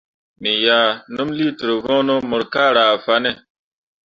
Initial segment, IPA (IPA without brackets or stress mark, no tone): m